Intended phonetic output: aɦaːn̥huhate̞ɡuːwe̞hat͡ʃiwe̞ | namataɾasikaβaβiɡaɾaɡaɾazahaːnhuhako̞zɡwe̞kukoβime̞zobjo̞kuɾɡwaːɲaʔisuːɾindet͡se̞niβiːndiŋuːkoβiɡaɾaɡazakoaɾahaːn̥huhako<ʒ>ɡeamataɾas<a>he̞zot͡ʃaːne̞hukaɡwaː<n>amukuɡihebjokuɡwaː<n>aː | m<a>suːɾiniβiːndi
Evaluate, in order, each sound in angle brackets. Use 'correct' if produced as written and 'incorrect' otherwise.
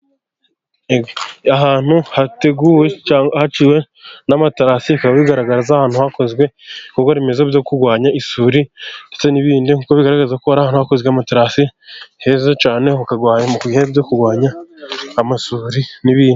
incorrect: z, incorrect: i, incorrect: ɲ, incorrect: ɲ, correct

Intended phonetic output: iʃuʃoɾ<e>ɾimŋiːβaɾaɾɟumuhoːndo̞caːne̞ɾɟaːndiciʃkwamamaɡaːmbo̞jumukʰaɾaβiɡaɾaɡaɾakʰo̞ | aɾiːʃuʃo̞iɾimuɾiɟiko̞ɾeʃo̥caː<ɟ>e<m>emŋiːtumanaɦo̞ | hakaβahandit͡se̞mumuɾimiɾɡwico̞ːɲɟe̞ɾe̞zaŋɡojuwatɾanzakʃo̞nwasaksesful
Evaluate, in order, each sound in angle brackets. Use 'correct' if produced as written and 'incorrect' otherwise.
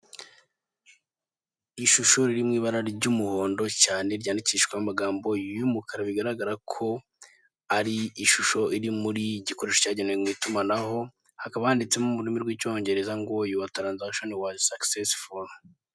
incorrect: i, correct, incorrect: n

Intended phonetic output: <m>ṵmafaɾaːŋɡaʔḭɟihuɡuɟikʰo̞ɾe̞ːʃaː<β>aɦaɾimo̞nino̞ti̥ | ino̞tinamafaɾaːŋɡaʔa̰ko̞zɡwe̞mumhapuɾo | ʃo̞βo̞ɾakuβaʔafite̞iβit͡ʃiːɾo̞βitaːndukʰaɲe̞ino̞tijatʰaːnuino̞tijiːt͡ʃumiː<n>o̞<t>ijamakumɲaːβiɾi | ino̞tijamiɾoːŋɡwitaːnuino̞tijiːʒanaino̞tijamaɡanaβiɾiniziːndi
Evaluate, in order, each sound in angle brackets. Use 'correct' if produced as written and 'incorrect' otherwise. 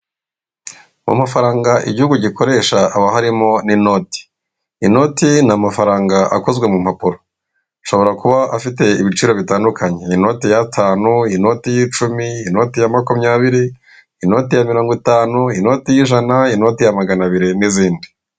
correct, correct, correct, correct

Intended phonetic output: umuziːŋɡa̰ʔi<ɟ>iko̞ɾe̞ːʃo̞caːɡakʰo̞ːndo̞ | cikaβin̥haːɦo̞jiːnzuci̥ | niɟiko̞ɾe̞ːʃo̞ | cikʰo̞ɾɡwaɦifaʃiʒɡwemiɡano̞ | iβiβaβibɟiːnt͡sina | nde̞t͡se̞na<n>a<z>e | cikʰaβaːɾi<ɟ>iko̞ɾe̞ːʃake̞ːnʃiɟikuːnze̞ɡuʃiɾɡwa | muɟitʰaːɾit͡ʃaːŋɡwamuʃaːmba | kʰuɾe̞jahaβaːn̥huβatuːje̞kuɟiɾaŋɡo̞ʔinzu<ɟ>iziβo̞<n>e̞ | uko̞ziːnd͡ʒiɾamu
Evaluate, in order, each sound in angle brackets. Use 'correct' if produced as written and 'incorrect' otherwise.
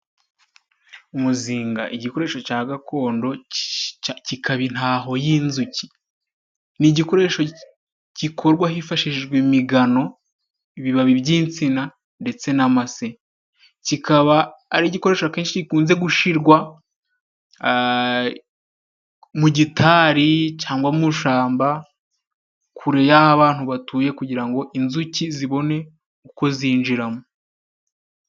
correct, incorrect: m, incorrect: s, correct, incorrect: c, correct

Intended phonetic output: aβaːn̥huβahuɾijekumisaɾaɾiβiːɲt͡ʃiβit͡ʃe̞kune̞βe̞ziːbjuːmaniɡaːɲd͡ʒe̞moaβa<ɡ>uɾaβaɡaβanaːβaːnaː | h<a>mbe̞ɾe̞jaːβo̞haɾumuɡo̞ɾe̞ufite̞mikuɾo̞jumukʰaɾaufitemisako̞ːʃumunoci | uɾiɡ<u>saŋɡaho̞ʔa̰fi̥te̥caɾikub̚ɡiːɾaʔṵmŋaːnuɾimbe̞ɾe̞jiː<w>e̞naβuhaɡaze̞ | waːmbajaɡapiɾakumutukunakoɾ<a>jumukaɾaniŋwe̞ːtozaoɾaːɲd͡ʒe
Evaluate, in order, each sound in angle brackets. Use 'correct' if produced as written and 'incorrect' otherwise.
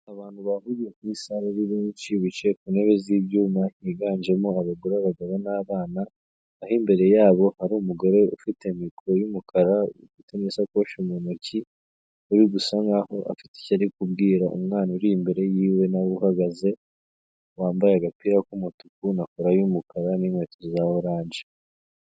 correct, incorrect: i, correct, correct, correct

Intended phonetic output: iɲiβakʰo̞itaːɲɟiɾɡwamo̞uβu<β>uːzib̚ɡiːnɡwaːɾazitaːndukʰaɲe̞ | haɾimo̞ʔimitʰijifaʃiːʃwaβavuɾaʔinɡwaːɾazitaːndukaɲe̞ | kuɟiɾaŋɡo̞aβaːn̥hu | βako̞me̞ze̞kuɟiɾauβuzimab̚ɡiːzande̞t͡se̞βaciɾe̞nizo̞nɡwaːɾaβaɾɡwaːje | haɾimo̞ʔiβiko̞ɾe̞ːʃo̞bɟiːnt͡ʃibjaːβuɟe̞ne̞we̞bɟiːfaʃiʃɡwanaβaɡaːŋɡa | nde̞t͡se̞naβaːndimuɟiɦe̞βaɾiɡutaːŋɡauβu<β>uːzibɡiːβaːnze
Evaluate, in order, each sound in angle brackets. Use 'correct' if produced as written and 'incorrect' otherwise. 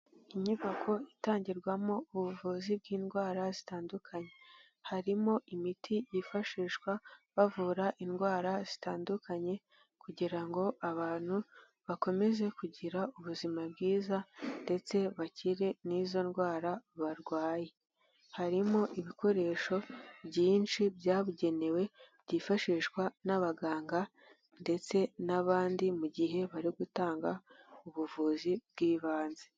incorrect: v, incorrect: v

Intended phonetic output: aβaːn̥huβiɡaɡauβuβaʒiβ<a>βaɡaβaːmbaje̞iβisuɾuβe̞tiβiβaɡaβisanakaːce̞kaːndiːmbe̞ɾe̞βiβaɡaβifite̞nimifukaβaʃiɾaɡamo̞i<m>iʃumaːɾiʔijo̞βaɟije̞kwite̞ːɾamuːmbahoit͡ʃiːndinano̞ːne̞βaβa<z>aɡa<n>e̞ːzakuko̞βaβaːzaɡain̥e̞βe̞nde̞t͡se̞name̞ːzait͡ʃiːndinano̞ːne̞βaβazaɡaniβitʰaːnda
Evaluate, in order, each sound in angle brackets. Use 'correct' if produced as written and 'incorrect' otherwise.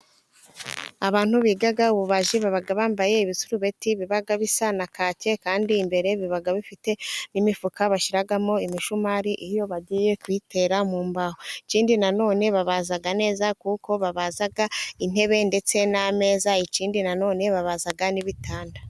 correct, correct, correct, correct

